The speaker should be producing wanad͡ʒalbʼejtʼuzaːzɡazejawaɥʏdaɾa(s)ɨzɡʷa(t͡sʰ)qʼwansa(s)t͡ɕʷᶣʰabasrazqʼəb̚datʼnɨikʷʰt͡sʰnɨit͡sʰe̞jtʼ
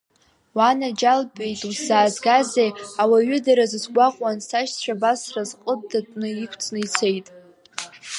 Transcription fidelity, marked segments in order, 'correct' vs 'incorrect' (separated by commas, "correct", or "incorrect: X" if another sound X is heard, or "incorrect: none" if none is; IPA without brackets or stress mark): incorrect: z, incorrect: none, incorrect: ʃ